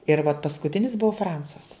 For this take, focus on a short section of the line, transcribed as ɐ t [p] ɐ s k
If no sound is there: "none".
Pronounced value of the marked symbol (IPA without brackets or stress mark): p